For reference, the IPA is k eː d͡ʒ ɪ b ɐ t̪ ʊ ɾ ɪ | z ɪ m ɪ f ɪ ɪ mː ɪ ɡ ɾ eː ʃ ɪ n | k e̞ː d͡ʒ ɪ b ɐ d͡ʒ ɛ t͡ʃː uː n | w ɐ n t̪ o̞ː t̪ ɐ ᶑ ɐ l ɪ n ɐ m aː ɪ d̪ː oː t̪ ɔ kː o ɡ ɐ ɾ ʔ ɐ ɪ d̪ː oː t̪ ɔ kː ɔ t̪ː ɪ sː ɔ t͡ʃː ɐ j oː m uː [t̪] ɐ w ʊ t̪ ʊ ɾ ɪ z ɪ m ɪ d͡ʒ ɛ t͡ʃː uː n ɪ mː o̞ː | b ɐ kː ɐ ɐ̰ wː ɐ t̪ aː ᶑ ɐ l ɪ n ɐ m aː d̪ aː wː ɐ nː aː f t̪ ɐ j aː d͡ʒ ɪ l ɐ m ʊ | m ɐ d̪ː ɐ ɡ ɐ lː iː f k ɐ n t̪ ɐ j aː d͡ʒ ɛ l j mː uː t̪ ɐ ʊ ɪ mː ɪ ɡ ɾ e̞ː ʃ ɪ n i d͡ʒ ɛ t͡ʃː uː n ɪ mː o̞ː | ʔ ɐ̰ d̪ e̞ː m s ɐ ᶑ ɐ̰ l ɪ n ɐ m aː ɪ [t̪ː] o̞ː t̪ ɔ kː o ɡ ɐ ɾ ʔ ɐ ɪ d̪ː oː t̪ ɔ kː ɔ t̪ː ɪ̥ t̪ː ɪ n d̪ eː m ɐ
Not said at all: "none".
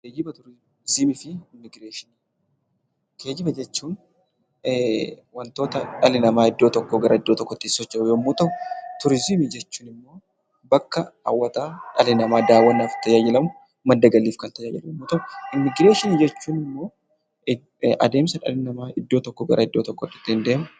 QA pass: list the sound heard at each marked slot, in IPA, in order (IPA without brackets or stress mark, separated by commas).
t̪, d̪ː